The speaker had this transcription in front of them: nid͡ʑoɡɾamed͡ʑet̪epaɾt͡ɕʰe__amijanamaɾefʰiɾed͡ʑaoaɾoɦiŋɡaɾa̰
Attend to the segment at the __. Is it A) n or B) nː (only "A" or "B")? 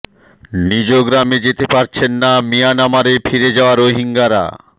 B